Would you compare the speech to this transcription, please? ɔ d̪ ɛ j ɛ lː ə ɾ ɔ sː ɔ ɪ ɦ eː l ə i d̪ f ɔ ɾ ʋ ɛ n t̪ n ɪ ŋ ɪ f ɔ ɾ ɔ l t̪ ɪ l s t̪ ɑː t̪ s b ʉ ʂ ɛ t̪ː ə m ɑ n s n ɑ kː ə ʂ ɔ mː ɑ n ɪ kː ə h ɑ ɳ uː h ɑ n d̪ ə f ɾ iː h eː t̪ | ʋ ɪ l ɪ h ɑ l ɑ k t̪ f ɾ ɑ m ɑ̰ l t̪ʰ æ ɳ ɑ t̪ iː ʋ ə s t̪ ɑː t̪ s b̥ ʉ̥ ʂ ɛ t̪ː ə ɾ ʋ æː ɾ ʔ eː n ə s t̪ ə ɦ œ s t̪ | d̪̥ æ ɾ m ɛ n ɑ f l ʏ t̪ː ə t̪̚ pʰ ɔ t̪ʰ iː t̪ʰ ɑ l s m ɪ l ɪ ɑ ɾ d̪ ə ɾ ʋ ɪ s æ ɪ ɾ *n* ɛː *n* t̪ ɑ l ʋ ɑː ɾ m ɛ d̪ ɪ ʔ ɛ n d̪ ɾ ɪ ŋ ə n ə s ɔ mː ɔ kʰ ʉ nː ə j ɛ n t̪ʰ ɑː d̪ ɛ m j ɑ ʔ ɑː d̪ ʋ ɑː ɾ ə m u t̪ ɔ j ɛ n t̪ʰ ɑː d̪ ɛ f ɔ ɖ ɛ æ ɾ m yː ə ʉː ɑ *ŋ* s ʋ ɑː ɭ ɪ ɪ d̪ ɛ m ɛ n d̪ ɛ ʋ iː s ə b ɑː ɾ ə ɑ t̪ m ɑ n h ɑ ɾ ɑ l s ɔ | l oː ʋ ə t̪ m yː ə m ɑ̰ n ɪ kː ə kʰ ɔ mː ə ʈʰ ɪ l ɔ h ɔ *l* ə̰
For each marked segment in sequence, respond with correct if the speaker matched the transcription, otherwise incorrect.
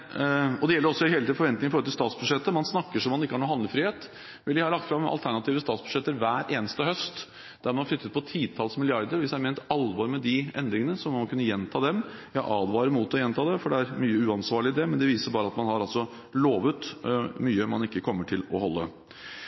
incorrect, correct, incorrect, incorrect

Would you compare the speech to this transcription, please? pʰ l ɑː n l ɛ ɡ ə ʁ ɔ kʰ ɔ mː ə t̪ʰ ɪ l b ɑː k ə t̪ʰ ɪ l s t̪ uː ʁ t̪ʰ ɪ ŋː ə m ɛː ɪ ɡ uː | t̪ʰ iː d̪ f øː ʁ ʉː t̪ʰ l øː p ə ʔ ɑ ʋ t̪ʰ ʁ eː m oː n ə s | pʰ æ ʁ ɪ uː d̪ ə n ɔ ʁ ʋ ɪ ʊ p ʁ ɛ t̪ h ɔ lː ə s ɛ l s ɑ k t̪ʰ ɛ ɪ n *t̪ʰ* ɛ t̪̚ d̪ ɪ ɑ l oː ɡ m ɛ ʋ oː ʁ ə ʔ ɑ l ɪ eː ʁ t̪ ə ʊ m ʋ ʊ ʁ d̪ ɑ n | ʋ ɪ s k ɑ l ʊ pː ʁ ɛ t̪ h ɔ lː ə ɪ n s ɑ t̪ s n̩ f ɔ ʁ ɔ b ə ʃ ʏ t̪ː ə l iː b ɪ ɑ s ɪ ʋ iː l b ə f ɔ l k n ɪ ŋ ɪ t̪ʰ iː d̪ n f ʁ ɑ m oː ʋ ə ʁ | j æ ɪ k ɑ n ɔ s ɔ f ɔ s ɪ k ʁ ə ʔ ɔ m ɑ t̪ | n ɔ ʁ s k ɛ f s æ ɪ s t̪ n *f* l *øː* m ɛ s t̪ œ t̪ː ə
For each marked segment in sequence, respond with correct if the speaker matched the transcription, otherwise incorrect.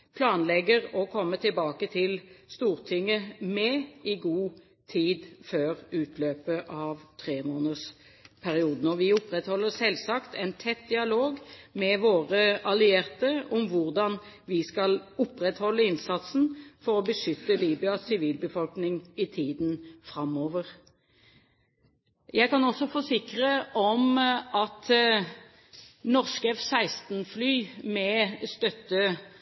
correct, correct, incorrect

